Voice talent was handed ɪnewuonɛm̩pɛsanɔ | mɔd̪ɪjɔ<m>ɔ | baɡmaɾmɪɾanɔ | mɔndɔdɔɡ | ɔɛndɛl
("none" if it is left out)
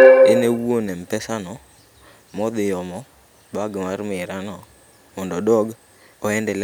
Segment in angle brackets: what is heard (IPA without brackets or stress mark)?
m